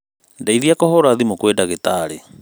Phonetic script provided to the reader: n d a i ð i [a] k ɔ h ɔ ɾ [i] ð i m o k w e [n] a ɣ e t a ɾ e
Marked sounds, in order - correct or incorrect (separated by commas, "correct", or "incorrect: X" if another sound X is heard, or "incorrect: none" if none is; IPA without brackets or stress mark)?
correct, incorrect: a, incorrect: d